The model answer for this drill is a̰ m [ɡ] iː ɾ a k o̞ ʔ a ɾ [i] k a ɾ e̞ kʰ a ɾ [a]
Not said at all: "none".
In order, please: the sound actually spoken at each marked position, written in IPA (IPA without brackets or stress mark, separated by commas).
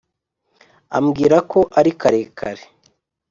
ɡ, i, e